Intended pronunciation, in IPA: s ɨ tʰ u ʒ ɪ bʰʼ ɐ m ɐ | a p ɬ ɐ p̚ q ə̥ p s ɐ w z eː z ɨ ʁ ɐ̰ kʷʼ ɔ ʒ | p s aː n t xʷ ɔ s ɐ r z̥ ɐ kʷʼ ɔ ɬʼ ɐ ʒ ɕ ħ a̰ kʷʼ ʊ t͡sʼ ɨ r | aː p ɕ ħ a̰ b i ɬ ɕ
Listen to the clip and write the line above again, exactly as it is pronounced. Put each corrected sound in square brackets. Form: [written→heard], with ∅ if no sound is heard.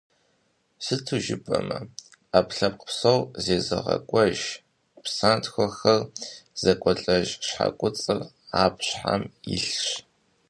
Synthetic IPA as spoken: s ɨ tʰ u ʒ ɪ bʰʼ ɐ m ɐ | a p ɬ ɐ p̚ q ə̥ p s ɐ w z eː z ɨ ʁ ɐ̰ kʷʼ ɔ ʒ | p s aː n t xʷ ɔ [s→x] ɐ r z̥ ɐ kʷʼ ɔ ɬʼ ɐ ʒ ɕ ħ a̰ kʷʼ ʊ t͡sʼ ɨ r | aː p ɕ ħ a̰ [b→m] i ɬ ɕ